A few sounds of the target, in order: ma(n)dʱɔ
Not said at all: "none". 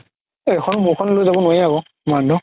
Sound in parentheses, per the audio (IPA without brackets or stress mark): n